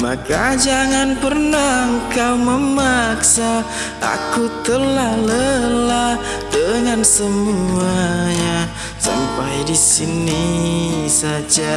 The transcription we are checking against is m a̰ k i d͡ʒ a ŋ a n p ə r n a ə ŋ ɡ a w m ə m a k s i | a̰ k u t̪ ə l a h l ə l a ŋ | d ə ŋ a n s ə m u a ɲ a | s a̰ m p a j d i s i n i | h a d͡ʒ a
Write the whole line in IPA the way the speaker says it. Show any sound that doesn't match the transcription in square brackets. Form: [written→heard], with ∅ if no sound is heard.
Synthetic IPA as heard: m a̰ k [i→a] d͡ʒ a ŋ a n p ə r n a ə ŋ [ɡ→k] a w m ə m a k s [i→a] | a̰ k u t̪ ə l a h l ə l a [ŋ→∅] | d ə ŋ a n s ə m u a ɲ a | s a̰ m p a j d i s i n i | [h→s] a d͡ʒ a